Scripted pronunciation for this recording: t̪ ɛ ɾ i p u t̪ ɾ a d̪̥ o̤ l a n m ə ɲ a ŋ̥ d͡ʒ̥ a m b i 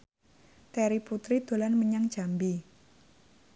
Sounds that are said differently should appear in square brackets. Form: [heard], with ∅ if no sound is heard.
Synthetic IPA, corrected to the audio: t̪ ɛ ɾ i p u t̪ ɾ [i] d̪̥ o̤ l a n m ə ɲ a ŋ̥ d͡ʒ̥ a m b i